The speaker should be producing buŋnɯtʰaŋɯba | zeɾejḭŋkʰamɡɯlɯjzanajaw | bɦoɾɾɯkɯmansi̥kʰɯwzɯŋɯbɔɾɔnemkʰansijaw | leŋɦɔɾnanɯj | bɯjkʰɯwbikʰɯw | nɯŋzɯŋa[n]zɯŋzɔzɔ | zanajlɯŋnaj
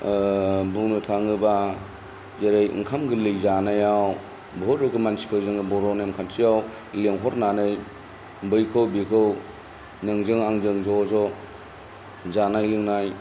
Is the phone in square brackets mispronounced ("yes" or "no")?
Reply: yes